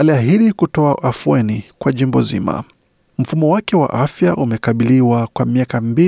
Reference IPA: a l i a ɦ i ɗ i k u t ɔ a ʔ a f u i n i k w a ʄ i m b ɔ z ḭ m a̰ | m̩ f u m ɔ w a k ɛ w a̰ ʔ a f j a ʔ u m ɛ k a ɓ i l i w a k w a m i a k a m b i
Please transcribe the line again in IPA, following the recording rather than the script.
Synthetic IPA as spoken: a l i a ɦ i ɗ i k u t ɔ a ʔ a f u ɛ n i k w a ʄ i m b ɔ z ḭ m a̰ | m̩ f u m ɔ w a k ɛ w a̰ ʔ a f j a ʔ u m ɛ k a ɓ i l i w a k w a m i a k a m b i